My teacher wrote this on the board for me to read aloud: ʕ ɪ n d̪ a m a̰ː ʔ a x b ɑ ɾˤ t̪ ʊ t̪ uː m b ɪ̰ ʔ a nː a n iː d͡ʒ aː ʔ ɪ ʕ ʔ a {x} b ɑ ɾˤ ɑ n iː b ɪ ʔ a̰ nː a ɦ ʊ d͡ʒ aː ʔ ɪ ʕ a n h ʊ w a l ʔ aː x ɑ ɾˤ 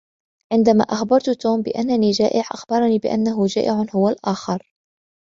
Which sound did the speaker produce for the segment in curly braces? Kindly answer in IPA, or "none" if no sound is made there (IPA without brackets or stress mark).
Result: x